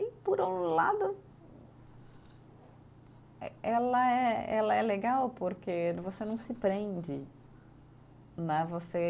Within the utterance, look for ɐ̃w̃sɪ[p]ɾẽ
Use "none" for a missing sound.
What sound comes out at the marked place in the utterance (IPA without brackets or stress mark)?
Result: p